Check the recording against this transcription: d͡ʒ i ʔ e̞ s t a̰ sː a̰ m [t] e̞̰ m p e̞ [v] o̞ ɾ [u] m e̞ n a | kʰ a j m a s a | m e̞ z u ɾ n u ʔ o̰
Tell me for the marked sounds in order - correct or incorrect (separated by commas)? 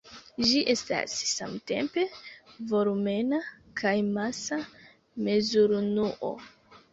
correct, correct, correct